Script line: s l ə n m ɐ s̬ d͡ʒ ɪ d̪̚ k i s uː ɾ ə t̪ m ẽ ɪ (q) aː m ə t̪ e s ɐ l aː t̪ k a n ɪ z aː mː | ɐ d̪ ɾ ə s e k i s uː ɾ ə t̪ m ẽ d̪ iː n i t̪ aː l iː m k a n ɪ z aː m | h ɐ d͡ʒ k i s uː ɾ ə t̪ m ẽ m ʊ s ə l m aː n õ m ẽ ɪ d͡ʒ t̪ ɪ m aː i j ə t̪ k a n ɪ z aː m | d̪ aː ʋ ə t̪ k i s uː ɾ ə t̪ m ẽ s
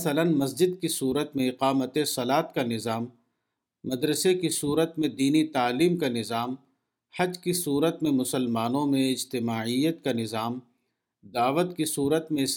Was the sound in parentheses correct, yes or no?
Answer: yes